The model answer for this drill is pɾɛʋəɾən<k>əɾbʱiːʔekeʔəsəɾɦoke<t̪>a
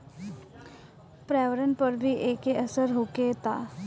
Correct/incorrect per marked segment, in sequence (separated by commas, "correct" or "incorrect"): incorrect, correct